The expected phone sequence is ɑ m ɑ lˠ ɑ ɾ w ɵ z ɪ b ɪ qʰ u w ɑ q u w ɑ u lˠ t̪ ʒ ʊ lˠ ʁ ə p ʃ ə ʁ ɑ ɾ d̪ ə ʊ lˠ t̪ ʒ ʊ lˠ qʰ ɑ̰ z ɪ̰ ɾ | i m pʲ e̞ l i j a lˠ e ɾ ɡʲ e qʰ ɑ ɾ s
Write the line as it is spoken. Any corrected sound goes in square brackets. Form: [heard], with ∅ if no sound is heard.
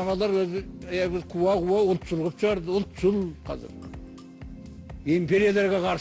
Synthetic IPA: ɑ m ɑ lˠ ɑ ɾ w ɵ z ɪ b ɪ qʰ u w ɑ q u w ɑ [ʊ] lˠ t̪ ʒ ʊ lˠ ʁ ə p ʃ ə ʁ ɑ ɾ d̪ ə ʊ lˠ t̪ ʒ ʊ lˠ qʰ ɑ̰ z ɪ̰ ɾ | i m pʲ e̞ [ɾ] i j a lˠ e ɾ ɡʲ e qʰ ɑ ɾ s